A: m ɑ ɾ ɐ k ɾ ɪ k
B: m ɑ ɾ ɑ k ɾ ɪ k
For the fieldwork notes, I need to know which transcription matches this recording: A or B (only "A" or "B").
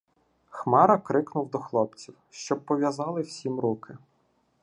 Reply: A